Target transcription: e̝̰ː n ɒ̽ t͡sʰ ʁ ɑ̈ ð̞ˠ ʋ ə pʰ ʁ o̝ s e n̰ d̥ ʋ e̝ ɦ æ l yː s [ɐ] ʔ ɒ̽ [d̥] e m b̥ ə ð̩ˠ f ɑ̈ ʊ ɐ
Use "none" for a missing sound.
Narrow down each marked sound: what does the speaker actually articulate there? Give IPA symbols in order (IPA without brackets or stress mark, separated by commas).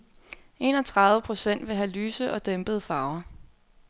ə, d̥